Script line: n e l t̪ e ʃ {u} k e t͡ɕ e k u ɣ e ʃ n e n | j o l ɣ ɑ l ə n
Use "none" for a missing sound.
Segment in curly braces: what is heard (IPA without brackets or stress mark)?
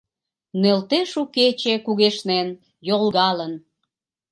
u